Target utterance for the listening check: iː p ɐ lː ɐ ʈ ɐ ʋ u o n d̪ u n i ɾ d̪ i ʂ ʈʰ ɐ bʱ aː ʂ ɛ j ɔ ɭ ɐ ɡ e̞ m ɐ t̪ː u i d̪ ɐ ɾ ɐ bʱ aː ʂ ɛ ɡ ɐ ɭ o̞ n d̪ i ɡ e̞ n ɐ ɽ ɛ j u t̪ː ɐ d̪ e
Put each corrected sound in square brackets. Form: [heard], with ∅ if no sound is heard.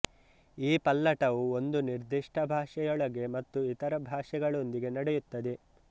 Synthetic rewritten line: iː p ɐ lː ɐ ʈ ɐ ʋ u o n d̪ u n i ɾ d̪ i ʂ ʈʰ ɐ bʱ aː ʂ ɛ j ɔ ɭ ɐ ɡ e̞ m ɐ t̪ː u i [t̪] ɐ ɾ ɐ bʱ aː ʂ ɛ ɡ ɐ ɭ o̞ n d̪ i ɡ e̞ n ɐ ɽ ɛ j u t̪ː ɐ d̪ e